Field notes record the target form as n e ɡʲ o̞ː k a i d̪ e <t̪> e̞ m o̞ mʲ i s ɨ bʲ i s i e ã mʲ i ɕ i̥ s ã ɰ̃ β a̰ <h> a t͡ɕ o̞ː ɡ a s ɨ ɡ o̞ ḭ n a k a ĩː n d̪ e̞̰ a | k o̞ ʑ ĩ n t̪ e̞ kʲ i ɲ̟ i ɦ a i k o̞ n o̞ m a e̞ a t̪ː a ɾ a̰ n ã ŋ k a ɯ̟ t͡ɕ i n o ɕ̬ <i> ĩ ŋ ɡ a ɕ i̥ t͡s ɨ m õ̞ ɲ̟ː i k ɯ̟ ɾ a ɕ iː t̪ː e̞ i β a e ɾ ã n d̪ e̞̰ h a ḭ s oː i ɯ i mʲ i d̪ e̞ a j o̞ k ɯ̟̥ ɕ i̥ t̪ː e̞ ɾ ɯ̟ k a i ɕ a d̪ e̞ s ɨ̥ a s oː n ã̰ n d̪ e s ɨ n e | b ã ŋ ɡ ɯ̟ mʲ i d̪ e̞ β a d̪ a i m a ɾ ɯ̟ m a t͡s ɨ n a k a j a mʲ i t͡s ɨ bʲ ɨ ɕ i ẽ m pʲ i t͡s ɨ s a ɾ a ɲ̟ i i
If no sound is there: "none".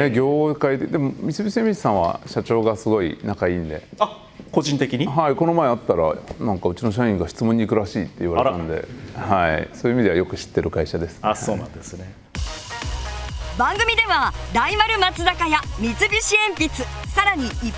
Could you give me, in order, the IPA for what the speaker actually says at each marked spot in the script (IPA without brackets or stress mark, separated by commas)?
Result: d̪, ɕ, a